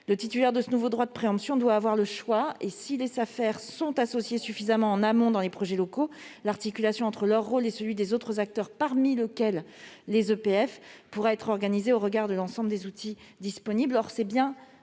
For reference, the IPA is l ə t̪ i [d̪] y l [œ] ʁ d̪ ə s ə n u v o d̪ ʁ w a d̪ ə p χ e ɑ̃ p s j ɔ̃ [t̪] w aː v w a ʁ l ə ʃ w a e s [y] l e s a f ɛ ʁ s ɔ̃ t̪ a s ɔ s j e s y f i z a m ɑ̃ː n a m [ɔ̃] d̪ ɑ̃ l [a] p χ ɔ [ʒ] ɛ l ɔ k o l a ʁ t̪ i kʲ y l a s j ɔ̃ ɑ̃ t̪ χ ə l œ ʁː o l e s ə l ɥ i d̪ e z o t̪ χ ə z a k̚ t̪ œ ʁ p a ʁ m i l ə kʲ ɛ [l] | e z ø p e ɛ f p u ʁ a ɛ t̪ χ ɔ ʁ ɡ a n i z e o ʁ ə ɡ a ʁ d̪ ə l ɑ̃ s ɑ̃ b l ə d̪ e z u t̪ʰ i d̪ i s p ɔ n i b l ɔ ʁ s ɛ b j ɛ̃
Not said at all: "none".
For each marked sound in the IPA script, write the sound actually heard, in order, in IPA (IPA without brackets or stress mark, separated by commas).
t̪, ɛ, d̪, i, ɔ̃, e, ʒ, lː